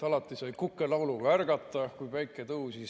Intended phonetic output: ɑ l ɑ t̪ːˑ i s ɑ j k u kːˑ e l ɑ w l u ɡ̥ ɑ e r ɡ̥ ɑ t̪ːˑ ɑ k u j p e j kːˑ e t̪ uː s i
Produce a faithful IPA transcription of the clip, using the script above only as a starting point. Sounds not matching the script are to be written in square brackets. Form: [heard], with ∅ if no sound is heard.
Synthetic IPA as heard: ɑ l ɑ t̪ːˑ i s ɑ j k u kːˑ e l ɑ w l u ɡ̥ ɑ [æ] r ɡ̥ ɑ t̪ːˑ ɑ k u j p [æ] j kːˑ e t̪ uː s i